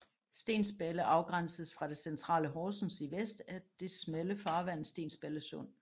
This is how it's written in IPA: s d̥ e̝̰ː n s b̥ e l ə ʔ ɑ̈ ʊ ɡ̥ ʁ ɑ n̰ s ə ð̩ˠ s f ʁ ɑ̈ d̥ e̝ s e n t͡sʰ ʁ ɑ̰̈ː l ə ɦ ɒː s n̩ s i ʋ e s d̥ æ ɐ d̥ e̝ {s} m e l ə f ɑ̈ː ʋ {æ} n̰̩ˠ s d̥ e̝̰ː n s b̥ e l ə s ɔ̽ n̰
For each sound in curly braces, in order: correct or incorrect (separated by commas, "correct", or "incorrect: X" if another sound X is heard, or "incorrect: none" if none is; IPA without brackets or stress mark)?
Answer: correct, correct